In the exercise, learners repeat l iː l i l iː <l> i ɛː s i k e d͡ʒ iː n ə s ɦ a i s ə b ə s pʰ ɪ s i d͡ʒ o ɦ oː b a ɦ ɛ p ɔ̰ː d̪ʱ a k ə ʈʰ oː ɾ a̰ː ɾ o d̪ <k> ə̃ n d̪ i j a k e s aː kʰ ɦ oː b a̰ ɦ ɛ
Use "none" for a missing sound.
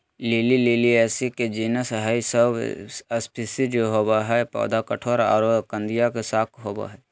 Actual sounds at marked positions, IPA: l, k

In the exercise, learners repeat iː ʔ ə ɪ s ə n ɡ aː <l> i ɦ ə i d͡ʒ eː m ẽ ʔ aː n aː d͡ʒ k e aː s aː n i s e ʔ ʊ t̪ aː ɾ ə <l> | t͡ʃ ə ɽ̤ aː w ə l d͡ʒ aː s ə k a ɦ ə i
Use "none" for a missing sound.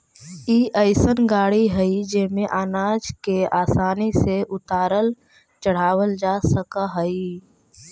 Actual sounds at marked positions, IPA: ɽ, l

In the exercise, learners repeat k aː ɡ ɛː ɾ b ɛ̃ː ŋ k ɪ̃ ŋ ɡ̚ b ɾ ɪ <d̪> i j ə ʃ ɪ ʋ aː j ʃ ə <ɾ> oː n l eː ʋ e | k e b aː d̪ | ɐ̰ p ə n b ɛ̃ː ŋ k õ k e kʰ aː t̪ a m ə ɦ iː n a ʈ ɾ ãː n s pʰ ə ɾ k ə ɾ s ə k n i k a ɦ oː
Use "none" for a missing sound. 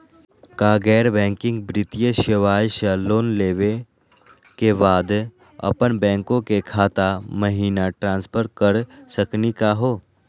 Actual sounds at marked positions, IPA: t̪, l

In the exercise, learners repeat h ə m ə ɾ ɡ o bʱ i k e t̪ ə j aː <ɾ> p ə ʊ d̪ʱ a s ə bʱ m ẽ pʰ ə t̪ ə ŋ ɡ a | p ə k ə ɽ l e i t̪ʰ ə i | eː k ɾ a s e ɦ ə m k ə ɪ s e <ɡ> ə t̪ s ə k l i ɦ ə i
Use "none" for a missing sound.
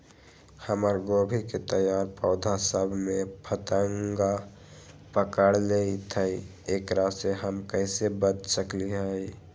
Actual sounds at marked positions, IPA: ɾ, b

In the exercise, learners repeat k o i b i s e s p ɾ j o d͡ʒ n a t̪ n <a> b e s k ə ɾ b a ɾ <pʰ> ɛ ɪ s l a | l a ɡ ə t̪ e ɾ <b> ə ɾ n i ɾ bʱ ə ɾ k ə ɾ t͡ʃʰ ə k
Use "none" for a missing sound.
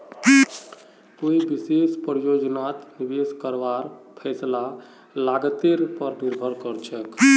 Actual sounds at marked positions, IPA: i, pʰ, p

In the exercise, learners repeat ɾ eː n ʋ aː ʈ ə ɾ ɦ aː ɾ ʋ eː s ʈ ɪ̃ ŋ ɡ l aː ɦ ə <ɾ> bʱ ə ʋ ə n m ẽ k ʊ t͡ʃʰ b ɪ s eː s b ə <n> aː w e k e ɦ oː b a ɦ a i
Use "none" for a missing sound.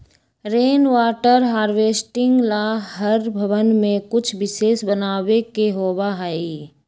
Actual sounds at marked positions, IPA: ɾ, n

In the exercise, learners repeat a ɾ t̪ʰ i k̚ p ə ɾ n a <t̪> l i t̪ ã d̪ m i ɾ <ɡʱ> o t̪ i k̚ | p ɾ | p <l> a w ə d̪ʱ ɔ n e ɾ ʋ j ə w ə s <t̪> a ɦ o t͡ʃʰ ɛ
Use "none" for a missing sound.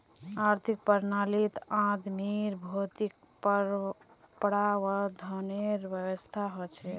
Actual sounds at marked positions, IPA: none, bʱ, ɽ, t̪ʰ

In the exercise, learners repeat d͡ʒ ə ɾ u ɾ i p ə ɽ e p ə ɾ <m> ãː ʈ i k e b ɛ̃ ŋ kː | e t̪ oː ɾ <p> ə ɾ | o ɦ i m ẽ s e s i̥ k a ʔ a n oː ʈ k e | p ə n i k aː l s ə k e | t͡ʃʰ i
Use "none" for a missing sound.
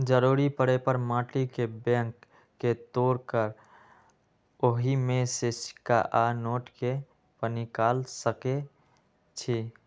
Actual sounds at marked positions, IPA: m, k

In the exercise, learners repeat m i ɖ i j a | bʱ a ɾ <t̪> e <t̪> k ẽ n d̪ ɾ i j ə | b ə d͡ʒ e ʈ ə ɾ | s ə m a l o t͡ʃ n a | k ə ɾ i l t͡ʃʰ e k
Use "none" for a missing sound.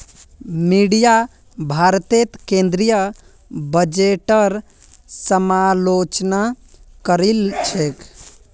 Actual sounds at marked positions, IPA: t̪, t̪

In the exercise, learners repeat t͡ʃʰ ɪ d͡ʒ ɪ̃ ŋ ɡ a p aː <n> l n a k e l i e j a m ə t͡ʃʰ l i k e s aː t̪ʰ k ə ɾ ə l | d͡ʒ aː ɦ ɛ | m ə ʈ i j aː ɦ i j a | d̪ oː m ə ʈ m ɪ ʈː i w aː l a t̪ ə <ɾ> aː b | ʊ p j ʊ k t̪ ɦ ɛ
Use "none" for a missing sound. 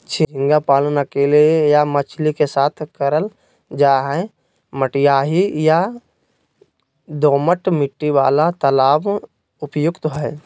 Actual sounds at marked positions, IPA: none, l

